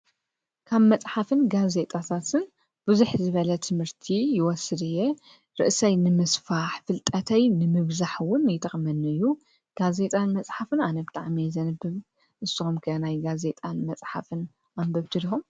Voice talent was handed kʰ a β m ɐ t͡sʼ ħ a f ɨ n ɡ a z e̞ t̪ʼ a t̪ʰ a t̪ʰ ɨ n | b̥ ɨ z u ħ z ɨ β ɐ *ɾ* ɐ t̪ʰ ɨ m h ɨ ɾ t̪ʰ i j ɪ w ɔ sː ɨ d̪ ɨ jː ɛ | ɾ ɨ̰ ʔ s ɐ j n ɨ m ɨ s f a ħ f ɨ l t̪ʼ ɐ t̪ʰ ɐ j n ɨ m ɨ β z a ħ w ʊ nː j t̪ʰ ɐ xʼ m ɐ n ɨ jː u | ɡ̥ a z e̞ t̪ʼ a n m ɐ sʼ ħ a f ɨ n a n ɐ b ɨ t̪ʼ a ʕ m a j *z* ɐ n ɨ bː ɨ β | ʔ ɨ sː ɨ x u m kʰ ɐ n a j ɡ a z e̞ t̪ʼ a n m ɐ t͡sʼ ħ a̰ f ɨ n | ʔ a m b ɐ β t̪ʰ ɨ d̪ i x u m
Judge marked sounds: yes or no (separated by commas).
no, yes